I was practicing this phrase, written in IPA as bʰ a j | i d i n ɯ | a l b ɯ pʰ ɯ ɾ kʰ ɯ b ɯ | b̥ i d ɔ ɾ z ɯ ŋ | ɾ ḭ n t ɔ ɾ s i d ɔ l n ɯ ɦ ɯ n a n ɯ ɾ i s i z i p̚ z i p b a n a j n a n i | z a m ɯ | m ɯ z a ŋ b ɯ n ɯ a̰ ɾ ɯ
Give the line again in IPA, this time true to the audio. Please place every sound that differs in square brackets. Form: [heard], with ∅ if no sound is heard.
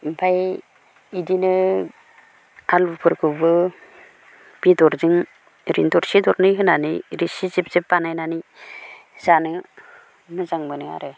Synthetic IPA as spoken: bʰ a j | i d i n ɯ | a l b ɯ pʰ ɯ ɾ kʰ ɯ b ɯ | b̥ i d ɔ ɾ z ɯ ŋ | ɾ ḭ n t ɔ ɾ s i d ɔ [ɾ] n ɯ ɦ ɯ n a n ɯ ɾ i s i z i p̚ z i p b a n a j n a n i | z a [n] ɯ | m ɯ z a ŋ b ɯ n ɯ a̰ ɾ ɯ